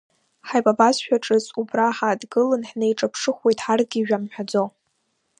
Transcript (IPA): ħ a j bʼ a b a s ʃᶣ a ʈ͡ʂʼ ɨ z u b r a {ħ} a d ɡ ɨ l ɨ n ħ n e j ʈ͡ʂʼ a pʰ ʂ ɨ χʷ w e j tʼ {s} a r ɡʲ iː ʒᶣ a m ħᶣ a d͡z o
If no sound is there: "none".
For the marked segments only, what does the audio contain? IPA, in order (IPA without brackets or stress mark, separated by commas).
ħ, ħ